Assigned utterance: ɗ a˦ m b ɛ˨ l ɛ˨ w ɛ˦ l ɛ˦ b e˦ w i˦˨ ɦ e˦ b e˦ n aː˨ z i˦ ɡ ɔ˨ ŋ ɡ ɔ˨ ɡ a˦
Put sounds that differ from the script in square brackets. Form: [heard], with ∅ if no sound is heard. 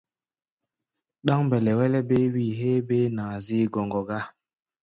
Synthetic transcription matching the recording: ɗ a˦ [ŋ] b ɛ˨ l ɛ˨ w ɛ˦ l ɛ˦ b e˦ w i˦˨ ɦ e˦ b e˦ n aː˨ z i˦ ɡ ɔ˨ ŋ ɡ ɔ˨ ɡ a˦